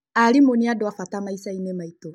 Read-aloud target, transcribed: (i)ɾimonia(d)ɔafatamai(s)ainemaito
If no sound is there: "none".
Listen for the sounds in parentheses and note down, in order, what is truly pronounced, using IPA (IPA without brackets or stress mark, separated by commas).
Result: a, d, s